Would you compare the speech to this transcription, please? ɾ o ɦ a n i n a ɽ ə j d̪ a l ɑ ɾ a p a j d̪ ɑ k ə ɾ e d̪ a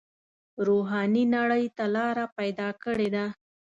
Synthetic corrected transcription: ɾ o ɦ ɑ n i n a ɽ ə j t̪ a l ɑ ɾ a p a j d̪ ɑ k ə ɽ e d̪ a